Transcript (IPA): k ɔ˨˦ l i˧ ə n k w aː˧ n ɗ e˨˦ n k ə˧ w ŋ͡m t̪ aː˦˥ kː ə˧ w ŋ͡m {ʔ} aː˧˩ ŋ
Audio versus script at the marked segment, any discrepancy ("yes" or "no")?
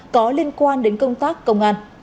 no